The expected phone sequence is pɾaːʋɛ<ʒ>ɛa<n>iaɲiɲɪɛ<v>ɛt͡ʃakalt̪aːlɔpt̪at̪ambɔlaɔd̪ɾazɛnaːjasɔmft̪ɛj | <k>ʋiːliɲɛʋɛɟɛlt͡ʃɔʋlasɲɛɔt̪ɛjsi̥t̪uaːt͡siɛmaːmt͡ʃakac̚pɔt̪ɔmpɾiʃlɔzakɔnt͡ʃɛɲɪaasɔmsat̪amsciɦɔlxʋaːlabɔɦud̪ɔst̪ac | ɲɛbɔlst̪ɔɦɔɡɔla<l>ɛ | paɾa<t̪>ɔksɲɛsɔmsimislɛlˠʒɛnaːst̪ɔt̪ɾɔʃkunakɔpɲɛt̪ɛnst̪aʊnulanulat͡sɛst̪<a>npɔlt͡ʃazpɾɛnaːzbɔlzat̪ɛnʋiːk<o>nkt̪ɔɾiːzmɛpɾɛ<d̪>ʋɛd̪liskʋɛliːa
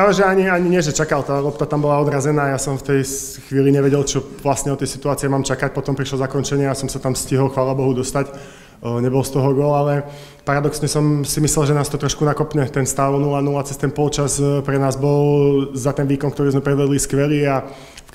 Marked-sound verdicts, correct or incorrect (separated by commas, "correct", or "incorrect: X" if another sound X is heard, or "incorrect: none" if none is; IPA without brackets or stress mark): correct, incorrect: ɲ, incorrect: ʒ, incorrect: x, correct, incorrect: d̪, incorrect: ɛ, incorrect: ɔ, correct